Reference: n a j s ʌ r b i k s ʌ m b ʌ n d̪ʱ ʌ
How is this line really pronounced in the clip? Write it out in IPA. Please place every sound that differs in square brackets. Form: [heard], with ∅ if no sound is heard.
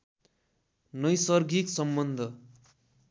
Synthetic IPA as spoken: n [ʌ] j s ʌ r [ɡ] i k s ʌ m b ʌ n d̪ʱ ʌ